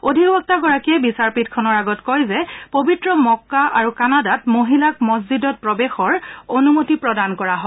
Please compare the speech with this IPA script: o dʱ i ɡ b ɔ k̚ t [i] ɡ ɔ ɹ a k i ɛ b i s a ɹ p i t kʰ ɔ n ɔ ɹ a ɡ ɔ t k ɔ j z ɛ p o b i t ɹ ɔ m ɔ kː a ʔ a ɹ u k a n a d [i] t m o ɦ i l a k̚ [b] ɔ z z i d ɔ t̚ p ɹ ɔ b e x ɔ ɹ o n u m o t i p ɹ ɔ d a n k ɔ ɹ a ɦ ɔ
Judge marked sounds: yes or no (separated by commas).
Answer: no, no, no